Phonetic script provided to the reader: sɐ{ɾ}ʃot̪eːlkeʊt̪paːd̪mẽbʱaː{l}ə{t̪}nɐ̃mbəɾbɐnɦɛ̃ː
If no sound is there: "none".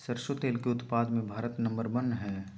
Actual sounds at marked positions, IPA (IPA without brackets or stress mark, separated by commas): ɾ, ɾ, t̪